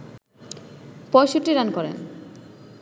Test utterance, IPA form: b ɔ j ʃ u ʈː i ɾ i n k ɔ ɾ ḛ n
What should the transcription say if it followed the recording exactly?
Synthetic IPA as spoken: p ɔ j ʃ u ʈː i ɾ a n k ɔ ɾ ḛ n